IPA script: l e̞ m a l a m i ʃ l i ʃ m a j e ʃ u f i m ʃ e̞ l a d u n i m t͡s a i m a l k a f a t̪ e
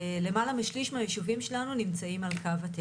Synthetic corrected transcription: l e̞ m a l a m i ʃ l i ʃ m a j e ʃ u v i m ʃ e̞ l a n u n i m t͡s a i m a l k a v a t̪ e